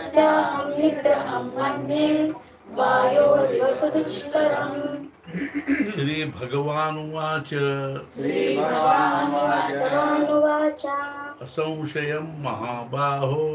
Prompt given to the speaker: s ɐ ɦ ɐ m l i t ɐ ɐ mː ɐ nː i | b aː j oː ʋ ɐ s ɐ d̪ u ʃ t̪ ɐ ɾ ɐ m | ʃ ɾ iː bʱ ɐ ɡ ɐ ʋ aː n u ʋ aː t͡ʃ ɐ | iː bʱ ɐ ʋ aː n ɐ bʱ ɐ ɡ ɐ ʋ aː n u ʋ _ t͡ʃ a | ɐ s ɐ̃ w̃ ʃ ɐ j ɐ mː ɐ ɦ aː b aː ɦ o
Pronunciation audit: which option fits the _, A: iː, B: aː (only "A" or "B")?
B